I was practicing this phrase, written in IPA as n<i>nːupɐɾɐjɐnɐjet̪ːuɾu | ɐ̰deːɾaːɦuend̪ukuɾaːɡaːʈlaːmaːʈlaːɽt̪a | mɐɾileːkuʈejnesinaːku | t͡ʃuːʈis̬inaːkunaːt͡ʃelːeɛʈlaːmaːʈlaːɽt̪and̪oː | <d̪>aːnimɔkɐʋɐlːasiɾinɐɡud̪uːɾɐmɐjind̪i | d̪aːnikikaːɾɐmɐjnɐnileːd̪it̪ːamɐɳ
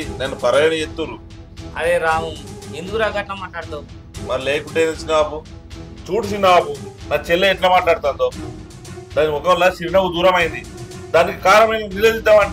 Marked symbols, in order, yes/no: no, yes

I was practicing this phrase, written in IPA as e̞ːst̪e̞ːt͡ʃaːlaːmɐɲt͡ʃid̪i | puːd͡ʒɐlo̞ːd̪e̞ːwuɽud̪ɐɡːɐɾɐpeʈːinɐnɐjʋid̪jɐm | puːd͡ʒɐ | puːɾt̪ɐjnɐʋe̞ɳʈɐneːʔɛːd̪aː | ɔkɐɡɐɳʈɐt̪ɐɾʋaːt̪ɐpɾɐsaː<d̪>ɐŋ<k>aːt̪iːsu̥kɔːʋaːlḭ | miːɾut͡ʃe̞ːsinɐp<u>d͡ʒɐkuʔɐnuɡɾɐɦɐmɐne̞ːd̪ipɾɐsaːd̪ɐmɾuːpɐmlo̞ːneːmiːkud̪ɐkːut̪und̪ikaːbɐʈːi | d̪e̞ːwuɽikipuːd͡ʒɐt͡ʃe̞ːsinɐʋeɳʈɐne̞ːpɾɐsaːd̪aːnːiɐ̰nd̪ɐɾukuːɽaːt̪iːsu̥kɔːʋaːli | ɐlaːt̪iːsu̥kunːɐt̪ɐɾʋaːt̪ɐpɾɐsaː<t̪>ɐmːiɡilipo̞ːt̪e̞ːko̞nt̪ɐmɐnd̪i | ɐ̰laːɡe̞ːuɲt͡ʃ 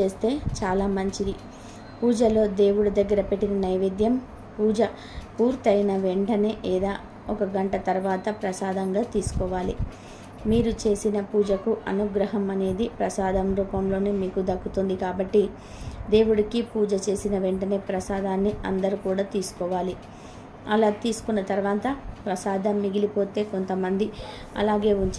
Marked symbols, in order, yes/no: yes, no, no, no

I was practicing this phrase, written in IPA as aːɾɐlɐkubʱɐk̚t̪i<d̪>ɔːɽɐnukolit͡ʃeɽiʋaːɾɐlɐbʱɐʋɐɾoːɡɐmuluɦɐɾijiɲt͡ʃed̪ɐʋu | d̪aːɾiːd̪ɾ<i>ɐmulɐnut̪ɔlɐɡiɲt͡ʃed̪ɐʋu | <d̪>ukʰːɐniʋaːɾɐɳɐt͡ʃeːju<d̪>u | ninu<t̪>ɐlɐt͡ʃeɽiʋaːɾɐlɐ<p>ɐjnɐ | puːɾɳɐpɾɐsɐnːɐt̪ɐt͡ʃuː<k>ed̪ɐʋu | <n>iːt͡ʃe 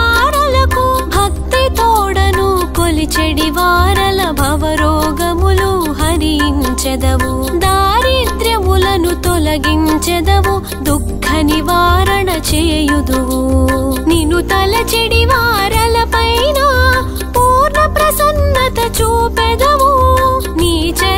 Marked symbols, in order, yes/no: no, no, yes, yes, yes, yes, no, yes

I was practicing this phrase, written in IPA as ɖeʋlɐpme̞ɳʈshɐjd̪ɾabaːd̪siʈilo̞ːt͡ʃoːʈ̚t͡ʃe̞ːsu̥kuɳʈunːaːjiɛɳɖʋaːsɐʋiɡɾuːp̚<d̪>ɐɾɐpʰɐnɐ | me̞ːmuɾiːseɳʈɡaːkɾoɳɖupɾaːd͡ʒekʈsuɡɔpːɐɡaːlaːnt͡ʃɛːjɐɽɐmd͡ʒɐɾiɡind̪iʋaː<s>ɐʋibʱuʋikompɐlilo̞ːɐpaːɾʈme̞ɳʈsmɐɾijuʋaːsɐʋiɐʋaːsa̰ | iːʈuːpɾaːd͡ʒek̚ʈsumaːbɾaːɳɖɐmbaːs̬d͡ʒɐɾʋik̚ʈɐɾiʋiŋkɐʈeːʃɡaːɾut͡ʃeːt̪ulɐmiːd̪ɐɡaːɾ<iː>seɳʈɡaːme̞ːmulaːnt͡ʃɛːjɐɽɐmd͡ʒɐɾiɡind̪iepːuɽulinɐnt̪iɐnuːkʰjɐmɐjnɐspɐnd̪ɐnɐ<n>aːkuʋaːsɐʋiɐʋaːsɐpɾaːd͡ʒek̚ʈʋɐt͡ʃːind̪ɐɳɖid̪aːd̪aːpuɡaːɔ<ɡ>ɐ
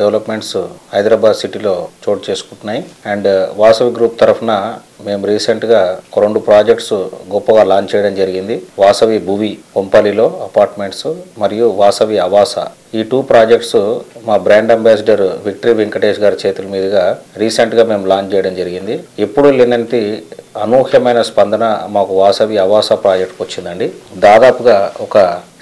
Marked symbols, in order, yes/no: no, yes, yes, no, no

